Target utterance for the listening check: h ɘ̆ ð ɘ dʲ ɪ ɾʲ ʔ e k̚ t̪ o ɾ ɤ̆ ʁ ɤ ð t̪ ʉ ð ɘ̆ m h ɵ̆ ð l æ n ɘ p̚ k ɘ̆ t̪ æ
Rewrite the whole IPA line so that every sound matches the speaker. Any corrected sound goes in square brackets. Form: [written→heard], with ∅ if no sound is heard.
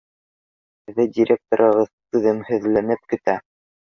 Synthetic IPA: h ɘ̆ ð ɘ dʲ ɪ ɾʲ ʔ e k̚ t̪ o ɾ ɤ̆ ʁ ɤ ð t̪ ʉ ð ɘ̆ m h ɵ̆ ð l æ n ɘ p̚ k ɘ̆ t̪ æ

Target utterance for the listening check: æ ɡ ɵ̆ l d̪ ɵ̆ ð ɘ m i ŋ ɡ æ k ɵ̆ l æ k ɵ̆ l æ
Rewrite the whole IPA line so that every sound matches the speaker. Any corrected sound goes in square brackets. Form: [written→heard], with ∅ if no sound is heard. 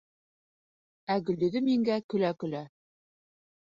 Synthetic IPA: æ ɡ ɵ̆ l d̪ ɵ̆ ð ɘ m i ŋ ɡ æ k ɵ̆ l æ k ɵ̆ l æ

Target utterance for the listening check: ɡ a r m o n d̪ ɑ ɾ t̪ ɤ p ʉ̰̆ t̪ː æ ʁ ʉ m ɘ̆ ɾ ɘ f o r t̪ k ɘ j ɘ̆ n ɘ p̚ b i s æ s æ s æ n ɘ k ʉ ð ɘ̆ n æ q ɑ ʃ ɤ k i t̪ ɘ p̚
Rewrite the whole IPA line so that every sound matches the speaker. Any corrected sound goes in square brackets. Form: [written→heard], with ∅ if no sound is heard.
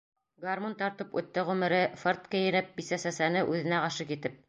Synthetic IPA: ɡ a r m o n [d̪→t̪] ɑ ɾ t̪ ɤ p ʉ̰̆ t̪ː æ ʁ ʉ m ɘ̆ ɾ ɘ f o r t̪ k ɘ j ɘ̆ n ɘ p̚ b i s æ s æ s æ n ɘ [k→ʔ] ʉ ð ɘ̆ n æ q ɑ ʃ ɤ k i t̪ ɘ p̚

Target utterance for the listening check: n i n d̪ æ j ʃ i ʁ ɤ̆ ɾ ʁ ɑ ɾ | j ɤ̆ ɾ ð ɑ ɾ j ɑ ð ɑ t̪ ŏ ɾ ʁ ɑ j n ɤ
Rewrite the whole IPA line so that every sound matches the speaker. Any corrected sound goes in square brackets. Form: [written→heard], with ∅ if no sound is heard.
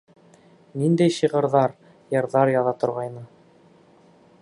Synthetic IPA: n i n d̪ æ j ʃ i ʁ ɤ̆ ɾ [ʁ→ð] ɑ ɾ | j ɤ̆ ɾ ð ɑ ɾ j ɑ ð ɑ t̪ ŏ ɾ ʁ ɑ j n ɤ

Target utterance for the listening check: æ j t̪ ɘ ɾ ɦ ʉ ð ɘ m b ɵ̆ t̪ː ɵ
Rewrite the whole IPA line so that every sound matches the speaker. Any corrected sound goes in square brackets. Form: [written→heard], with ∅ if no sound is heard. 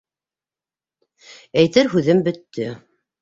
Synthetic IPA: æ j t̪ ɘ ɾ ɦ ʉ ð ɘ m b ɵ̆ t̪ː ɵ

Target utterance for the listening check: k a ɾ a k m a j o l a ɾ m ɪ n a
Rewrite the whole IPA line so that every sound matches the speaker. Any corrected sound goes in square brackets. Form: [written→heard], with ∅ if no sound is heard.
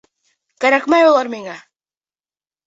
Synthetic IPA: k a ɾ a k m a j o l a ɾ m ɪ [n→ŋ] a

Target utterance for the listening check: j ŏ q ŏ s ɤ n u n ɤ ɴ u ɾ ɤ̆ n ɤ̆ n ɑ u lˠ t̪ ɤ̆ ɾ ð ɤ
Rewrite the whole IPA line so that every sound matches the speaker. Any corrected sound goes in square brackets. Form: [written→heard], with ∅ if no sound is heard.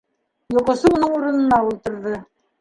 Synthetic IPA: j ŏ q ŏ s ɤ [n→∅] u n ɤ ɴ u ɾ ɤ̆ n ɤ̆ n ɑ u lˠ t̪ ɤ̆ ɾ ð ɤ

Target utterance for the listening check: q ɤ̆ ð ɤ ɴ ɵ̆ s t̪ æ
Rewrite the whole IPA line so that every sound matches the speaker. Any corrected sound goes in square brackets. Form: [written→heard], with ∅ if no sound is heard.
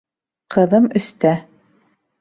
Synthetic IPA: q ɤ̆ ð ɤ [ɴ→m] ɵ̆ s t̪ æ

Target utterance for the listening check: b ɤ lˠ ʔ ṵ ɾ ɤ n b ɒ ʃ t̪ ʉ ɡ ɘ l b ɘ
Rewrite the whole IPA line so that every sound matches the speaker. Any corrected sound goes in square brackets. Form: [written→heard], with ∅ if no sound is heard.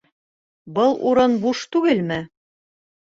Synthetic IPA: b ɤ lˠ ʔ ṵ ɾ ɤ n b [ɒ→u] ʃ t̪ ʉ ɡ ɘ l [b→m] ɘ

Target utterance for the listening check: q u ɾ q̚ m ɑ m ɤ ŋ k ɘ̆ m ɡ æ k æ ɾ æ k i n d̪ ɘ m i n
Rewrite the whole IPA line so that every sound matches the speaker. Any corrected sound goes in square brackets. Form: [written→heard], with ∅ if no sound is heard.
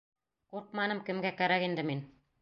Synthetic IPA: q u ɾ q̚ m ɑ [m→n] ɤ [ŋ→m] k ɘ̆ m ɡ æ k æ ɾ æ k i n d̪ ɘ m i n

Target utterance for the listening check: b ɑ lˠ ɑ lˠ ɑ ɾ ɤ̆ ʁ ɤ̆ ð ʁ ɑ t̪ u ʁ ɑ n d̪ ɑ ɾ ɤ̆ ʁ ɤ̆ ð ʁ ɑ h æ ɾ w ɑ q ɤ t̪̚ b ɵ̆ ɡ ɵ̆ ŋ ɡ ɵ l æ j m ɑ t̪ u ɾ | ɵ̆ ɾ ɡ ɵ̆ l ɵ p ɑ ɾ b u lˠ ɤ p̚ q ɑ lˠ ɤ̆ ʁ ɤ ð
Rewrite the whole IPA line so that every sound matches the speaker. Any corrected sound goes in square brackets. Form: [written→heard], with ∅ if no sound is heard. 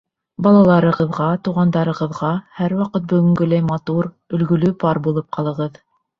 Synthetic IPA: b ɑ lˠ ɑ lˠ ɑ ɾ ɤ̆ ʁ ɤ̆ ð ʁ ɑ t̪ u ʁ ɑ n d̪ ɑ ɾ ɤ̆ ʁ ɤ̆ ð ʁ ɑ h æ ɾ w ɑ q ɤ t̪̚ b ɵ̆ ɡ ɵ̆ ŋ ɡ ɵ l æ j m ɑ t̪ u ɾ | ɵ̆ [ɾ→l] ɡ ɵ̆ l ɵ p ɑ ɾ b u lˠ ɤ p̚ q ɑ lˠ ɤ̆ ʁ ɤ ð

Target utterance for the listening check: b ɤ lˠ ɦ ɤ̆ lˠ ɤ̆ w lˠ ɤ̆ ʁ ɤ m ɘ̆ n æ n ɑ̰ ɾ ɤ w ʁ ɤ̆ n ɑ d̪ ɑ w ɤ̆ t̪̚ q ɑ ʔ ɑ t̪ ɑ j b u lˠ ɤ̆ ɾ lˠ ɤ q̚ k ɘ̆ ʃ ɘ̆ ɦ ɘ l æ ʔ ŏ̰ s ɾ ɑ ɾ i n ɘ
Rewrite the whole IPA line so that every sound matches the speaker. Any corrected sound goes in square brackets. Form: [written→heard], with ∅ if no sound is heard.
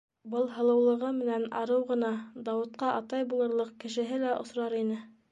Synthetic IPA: b ɤ lˠ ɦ ɤ̆ lˠ ɤ̆ w lˠ ɤ̆ ʁ ɤ m ɘ̆ n æ n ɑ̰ ɾ ɤ w ʁ ɤ̆ n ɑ d̪ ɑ w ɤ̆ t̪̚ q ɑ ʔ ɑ t̪ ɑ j b u lˠ ɤ̆ ɾ lˠ ɤ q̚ k ɘ̆ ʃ ɘ̆ ɦ ɘ l æ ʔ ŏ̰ s ɾ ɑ ɾ i n ɘ

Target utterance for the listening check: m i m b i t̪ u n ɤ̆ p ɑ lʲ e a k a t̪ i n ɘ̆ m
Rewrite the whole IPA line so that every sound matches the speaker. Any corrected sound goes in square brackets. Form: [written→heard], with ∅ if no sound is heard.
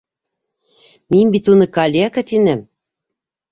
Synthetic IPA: m i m b i t̪ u n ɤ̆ [p→k] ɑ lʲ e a k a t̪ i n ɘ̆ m

